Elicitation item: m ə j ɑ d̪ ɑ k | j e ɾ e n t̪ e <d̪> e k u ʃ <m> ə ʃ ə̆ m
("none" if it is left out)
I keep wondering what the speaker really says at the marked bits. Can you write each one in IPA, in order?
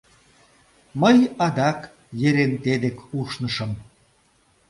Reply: d̪, n

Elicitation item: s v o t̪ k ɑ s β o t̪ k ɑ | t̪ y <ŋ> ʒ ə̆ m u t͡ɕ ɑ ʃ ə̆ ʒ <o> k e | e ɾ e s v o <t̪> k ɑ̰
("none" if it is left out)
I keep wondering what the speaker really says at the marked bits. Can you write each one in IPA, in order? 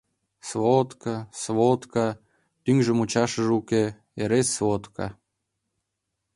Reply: ŋ, u, t̪

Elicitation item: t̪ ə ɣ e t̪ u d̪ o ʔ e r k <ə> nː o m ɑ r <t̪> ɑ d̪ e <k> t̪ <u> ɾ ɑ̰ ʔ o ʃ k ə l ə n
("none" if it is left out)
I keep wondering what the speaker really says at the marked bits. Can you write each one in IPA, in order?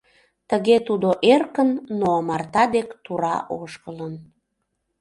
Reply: ə, t̪, k, u

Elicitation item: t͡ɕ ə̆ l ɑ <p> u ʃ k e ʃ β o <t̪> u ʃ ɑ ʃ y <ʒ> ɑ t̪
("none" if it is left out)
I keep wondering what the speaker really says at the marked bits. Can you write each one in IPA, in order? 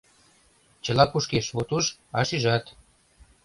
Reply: p, t̪, ʒ

